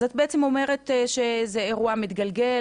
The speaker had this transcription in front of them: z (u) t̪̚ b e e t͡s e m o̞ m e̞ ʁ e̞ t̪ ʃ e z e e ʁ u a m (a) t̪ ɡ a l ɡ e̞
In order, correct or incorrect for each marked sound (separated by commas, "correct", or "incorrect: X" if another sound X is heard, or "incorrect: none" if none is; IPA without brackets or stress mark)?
incorrect: o, incorrect: i